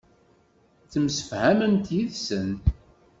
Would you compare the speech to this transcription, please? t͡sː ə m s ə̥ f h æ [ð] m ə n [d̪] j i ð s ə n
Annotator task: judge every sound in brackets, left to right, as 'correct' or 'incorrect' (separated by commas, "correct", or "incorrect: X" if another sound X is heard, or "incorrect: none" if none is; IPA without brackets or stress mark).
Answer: incorrect: none, incorrect: t̪